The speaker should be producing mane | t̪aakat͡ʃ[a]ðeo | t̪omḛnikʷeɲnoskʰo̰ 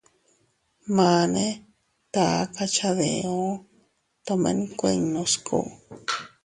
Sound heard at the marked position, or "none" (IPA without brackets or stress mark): a